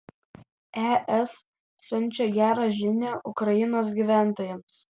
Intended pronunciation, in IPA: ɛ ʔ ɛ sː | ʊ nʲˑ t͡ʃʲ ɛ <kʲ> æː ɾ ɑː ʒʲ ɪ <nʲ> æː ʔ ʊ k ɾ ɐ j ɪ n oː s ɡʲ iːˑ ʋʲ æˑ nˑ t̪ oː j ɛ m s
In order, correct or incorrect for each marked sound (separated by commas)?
incorrect, correct